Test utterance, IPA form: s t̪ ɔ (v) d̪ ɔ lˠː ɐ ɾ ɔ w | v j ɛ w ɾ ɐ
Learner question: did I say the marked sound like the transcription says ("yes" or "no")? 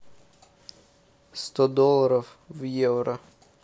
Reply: no